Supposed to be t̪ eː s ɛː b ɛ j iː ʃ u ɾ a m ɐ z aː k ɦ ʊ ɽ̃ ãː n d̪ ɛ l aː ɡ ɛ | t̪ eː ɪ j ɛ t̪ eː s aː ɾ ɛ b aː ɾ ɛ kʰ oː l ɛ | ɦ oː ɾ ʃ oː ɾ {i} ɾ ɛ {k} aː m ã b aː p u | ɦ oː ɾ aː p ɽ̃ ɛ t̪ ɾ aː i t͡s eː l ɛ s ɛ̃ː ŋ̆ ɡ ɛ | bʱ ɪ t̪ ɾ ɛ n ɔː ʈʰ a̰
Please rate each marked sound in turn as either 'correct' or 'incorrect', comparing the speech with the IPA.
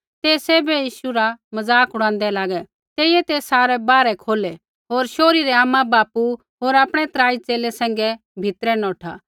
correct, incorrect: none

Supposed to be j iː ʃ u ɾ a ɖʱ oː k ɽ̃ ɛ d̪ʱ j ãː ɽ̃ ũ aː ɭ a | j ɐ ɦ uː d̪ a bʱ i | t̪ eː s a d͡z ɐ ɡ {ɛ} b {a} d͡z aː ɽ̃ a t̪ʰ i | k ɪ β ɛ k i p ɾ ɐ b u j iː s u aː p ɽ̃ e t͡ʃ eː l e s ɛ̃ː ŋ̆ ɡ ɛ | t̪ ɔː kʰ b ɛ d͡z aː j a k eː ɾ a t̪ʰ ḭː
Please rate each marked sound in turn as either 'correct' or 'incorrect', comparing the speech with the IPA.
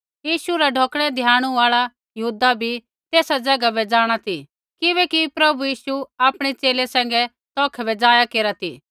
incorrect: a, incorrect: ɛ

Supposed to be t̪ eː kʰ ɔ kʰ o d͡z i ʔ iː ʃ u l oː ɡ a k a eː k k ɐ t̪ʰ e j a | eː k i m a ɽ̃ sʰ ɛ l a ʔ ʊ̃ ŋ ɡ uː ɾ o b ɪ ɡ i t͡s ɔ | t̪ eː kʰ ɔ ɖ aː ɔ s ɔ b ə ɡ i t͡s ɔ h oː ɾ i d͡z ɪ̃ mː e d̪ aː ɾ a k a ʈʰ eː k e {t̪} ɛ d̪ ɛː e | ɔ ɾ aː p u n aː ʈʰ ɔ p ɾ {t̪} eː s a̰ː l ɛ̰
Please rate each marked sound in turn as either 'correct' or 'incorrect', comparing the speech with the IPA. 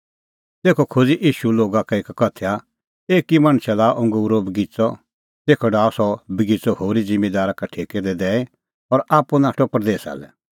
incorrect: d̪, incorrect: d̪

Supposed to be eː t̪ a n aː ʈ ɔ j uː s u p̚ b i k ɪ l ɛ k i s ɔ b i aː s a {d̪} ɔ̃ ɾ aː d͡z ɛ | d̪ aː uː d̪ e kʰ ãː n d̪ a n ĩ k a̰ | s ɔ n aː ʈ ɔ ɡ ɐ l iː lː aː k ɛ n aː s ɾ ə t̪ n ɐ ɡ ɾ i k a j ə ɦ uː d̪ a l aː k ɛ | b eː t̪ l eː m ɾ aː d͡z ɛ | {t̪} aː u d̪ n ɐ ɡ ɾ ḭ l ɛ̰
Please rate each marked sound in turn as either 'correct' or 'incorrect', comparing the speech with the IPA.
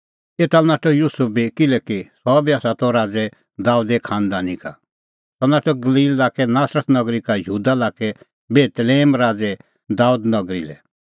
incorrect: t̪, incorrect: d̪

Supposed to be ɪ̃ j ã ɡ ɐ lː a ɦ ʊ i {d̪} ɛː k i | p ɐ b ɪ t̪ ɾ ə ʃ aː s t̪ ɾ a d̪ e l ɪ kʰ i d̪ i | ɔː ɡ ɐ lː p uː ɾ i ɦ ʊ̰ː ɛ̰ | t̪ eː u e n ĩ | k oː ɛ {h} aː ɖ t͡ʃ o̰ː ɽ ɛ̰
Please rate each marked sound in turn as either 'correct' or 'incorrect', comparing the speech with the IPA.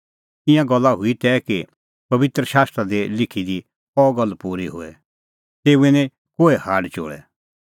incorrect: t̪, correct

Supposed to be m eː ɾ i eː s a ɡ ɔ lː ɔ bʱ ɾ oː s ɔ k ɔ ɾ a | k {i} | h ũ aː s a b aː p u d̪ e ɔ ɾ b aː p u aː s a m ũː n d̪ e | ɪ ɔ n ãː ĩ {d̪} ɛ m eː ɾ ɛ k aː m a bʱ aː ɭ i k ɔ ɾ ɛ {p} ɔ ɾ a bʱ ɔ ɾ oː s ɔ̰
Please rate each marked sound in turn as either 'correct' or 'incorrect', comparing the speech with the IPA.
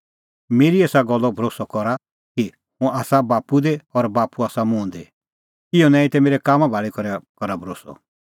correct, incorrect: t̪, incorrect: k

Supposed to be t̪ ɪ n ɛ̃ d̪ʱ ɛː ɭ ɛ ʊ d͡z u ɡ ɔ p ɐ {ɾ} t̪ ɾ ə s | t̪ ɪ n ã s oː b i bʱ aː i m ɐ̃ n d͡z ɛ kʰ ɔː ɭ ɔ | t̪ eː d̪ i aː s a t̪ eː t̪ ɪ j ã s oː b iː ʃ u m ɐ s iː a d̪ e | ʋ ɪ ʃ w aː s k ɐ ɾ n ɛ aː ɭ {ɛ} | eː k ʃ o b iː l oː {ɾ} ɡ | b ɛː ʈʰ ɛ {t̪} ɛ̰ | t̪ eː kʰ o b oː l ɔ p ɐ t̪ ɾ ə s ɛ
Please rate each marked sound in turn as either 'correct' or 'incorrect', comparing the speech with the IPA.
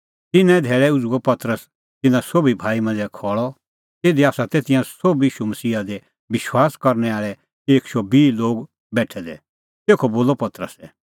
incorrect: none, correct, incorrect: none, incorrect: d̪

